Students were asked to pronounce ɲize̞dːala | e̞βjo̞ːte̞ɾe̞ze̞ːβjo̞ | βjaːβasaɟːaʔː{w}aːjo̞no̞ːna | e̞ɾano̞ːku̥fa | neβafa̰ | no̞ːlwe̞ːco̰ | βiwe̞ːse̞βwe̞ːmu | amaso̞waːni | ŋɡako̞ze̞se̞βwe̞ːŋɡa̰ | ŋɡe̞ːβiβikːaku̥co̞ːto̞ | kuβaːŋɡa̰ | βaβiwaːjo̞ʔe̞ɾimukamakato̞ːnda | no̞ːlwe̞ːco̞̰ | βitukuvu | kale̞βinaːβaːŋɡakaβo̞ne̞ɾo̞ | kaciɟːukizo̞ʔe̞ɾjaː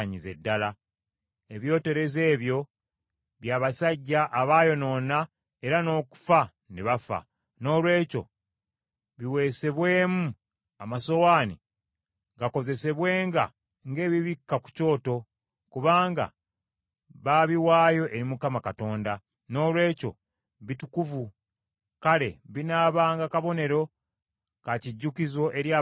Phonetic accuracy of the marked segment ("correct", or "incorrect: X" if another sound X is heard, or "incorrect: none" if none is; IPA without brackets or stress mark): incorrect: β